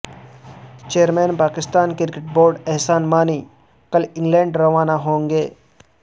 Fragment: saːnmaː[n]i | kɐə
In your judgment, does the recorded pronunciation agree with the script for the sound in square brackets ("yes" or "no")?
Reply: yes